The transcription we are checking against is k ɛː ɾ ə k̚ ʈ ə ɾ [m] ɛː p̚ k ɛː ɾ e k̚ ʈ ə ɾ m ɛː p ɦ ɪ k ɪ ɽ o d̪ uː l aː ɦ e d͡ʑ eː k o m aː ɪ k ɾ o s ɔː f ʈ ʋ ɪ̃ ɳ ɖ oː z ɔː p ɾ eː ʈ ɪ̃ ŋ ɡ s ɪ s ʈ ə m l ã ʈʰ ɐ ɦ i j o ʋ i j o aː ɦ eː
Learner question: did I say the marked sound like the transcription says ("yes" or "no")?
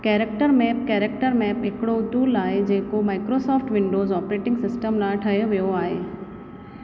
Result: yes